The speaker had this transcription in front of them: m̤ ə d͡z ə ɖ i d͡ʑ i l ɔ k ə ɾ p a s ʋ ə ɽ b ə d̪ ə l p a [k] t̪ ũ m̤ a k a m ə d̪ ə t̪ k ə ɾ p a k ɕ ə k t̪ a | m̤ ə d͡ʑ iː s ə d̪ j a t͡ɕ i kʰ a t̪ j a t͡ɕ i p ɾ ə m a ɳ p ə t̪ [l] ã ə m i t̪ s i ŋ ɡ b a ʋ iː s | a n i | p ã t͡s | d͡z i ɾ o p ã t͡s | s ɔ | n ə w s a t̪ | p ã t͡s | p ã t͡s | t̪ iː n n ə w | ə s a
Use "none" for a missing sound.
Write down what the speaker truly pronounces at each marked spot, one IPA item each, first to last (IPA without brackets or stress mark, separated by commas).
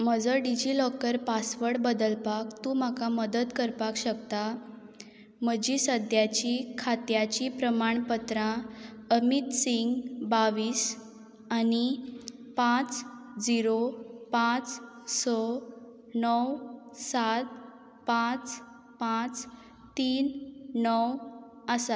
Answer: k, ɾ